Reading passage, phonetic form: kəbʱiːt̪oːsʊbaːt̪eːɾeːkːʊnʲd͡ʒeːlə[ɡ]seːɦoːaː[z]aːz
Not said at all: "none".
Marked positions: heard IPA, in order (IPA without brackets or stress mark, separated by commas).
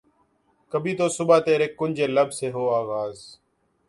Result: b, ɣ